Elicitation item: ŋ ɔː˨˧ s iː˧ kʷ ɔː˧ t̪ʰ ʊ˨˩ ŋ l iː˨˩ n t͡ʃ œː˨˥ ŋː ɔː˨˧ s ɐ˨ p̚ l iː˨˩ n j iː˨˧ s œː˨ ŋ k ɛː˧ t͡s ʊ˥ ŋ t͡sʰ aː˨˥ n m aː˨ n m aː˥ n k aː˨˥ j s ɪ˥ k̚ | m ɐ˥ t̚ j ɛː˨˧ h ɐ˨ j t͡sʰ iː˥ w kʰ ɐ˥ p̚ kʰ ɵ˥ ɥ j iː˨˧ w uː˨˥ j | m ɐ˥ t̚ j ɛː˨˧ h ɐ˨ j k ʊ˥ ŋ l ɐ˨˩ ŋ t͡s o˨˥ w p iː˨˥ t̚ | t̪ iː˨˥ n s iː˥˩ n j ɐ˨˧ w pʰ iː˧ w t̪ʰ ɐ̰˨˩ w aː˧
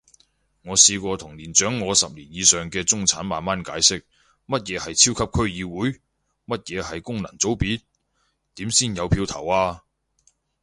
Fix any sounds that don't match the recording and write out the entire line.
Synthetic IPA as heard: ŋ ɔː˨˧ s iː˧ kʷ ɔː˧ t̪ʰ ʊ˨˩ ŋ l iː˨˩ n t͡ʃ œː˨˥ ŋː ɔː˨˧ s ɐ˨ p̚ l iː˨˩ n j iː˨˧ s œː˨ ŋ k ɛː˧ t͡s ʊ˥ ŋ t͡sʰ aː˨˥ n m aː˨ n m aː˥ n k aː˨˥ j s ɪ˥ k̚ | m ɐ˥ t̚ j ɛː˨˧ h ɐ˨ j t͡sʰ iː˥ w kʰ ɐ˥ p̚ kʰ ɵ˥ ɥ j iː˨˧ w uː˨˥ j | m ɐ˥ t̚ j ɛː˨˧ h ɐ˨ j k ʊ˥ ŋ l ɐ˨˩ ŋ t͡s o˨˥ w p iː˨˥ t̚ | t̪ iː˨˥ m s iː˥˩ n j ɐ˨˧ w pʰ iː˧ w t̪ʰ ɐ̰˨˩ w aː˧